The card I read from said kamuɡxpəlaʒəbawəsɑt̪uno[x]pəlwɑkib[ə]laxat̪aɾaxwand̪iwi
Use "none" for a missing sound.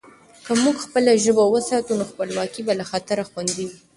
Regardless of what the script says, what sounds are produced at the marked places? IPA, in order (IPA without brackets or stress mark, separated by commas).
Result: x, a